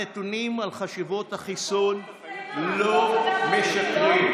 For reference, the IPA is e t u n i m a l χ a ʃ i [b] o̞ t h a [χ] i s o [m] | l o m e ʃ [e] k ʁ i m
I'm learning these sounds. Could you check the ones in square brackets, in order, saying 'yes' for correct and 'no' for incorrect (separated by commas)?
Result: no, yes, no, no